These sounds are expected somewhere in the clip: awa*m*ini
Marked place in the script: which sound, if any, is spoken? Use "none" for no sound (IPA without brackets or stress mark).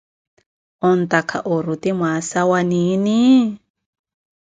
n